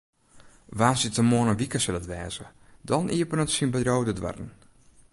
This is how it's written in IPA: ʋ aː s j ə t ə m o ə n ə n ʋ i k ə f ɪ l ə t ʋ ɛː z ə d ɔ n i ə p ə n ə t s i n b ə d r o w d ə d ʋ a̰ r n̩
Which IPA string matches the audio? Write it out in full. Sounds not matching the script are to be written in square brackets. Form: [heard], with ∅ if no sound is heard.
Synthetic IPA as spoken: ʋ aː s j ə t ə m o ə n ə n ʋ i k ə [s] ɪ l ə t ʋ ɛː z ə d ɔ n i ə p ə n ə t s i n b ə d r o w d ə d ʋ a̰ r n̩